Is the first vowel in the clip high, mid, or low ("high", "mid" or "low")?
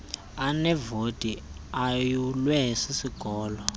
low